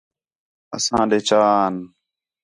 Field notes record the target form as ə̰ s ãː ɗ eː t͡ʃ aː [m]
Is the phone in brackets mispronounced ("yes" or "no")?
yes